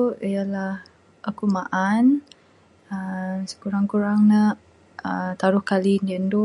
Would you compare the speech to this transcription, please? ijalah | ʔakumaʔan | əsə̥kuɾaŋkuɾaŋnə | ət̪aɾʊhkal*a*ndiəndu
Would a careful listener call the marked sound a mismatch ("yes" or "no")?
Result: yes